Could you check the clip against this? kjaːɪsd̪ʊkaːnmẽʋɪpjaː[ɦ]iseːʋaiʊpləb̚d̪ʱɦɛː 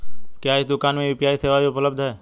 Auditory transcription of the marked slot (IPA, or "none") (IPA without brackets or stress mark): none